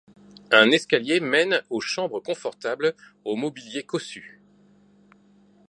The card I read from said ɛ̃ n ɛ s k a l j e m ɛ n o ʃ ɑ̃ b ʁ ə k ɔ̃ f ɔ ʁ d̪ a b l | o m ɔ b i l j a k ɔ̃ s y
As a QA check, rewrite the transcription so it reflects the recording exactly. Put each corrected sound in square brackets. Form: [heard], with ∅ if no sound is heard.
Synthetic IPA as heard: ɛ̃ n ɛ s k a l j e m ɛ n o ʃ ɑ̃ b ʁ ə k ɔ̃ f ɔ ʁ [t̪] a b l | o m ɔ b i l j [e] k [ɔ] s y